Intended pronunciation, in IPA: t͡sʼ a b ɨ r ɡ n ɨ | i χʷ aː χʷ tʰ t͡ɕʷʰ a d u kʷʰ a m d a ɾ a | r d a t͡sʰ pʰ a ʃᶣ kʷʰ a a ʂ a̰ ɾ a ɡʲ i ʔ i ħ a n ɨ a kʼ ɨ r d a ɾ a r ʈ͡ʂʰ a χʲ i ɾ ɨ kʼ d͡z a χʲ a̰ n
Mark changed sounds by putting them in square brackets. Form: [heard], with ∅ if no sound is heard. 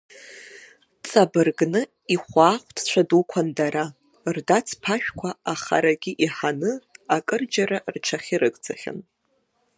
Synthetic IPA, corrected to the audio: t͡sʼ a b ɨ r ɡ n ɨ | i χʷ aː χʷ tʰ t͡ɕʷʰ a d u kʷʰ a [n] d a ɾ a | r d a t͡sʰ pʰ a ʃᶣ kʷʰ a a [χ] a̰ ɾ a ɡʲ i ʔ i ħ a n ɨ a kʼ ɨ r [d͡ʒ] a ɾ a r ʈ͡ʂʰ a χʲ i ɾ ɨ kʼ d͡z a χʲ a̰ n